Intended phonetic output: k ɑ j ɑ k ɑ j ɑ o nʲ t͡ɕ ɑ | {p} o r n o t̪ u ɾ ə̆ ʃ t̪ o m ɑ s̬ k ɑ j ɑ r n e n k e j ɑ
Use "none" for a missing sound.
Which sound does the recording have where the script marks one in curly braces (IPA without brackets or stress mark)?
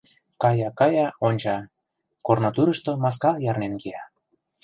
k